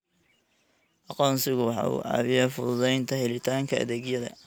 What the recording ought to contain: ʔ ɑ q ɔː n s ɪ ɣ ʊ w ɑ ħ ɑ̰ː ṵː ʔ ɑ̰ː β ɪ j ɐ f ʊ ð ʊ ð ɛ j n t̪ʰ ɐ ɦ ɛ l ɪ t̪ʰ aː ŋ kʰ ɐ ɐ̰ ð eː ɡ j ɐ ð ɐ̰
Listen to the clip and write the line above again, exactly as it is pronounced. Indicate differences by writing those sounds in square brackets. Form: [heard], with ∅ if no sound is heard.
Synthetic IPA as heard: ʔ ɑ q ɔː n s ɪ ɣ ʊ w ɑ ħ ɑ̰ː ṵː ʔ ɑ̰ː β ɪ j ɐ f ʊ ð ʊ ð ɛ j n t̪ʰ ɐ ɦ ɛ l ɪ t̪ʰ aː ŋ kʰ ɐ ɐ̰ ð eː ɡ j ɐ ð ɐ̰

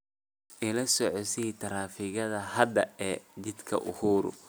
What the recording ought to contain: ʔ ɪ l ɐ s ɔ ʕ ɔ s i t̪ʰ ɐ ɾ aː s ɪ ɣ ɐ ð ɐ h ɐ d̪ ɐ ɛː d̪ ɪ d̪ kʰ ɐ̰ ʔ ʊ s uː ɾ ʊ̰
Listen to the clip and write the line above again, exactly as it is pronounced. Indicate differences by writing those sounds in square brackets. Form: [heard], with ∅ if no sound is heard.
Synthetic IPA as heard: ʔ ɪ l ɐ s ɔ ʕ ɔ s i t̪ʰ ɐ ɾ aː [f] ɪ ɣ ɐ ð ɐ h ɐ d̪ ɐ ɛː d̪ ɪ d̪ kʰ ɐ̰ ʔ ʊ [h] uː ɾ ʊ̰

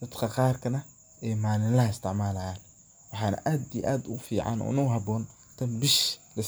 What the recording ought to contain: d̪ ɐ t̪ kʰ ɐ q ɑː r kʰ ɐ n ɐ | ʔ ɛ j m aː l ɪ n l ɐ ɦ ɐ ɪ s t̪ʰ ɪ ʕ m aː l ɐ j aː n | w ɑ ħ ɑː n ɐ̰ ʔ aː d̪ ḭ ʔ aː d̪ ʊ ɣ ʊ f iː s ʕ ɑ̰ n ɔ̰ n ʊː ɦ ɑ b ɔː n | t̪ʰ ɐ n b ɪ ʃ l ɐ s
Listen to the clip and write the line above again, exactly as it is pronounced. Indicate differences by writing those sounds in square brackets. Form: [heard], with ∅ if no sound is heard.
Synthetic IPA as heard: d̪ ɐ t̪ kʰ ɐ q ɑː r kʰ ɐ n ɐ | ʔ ɛ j m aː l ɪ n l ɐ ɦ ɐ ɪ s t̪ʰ ɪ ʕ m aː l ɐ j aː n | w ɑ ħ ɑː n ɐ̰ ʔ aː d̪ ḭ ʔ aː d̪ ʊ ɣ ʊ f iː [∅] ʕ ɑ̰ n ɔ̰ n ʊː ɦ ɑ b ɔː n | t̪ʰ ɐ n b ɪ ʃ l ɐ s

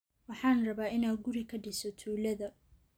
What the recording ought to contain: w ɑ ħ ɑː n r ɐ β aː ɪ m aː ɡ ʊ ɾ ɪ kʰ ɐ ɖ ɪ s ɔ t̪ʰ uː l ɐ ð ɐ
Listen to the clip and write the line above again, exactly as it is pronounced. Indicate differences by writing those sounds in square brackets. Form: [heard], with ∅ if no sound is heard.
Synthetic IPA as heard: w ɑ ħ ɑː n r ɐ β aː ɪ [n] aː ɡ ʊ ɾ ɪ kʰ ɐ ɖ ɪ s ɔ t̪ʰ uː l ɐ ð ɐ

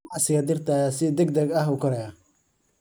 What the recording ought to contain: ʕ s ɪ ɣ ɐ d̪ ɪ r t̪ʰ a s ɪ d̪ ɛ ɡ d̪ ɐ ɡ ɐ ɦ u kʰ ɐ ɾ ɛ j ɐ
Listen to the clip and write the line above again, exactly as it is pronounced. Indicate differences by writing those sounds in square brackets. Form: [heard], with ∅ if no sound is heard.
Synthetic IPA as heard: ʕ s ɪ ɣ ɐ d̪ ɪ r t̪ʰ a s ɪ d̪ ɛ ɡ d̪ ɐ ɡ ɐ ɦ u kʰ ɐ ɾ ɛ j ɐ

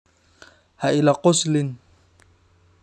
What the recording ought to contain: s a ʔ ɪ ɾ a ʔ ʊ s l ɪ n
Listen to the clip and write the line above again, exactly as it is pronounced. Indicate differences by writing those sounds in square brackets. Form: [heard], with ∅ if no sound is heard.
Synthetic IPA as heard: [h] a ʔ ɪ [l] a [q] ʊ s l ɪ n

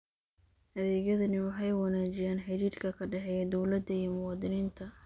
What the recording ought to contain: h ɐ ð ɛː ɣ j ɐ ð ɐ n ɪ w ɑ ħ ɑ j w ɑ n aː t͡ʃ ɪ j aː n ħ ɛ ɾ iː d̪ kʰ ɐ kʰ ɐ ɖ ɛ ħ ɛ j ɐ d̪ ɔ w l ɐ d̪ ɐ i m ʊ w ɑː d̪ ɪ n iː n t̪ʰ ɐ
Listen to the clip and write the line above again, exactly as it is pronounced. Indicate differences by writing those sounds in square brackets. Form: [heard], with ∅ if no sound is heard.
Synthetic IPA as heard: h ɐ ð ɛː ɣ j ɐ ð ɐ n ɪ w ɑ ħ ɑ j w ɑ n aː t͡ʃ ɪ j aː n ħ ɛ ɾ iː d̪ kʰ ɐ kʰ ɐ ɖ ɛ ħ ɛ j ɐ d̪ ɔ w l ɐ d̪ ɐ i m ʊ w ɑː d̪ ɪ n iː n t̪ʰ ɐ

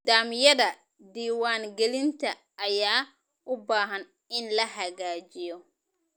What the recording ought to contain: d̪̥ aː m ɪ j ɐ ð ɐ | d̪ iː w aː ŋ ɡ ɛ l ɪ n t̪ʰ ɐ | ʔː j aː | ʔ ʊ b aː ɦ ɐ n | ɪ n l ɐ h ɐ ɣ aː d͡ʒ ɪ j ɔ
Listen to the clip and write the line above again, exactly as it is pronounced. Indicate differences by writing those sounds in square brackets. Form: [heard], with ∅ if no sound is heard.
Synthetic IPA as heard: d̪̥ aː m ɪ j ɐ ð ɐ | d̪ iː w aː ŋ ɡ ɛ l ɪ n t̪ʰ ɐ | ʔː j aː | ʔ ʊ b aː ɦ ɐ n | ɪ n l ɐ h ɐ ɣ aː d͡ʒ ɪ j ɔ

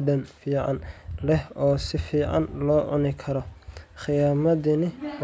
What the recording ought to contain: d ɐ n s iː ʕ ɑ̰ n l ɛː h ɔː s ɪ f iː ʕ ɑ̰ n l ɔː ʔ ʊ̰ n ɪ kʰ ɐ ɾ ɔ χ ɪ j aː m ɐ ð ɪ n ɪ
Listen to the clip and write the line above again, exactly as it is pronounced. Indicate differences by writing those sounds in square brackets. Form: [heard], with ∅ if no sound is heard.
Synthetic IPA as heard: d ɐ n [f] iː ʕ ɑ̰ n l [ɛ] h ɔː s ɪ f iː ʕ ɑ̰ n l ɔː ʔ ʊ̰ n ɪ kʰ ɐ ɾ ɔ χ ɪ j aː m ɐ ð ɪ n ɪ

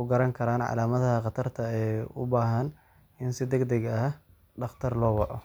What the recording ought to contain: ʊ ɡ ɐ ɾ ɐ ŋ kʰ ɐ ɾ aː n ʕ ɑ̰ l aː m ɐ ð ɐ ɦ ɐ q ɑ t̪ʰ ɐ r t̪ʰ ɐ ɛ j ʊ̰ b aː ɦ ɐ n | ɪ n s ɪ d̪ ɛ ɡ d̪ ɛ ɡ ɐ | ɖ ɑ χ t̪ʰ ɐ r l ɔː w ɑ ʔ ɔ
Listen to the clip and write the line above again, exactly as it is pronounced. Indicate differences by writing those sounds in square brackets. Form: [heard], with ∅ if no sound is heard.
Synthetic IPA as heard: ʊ ɡ ɐ ɾ ɐ ŋ kʰ ɐ ɾ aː n ʕ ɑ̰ l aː m ɐ ð ɐ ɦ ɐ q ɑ t̪ʰ ɐ r t̪ʰ ɐ ɛ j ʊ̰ b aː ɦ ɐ n | ɪ n s ɪ d̪ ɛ ɡ d̪ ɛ ɡ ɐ | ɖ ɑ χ t̪ʰ ɐ r l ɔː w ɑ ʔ ɔ

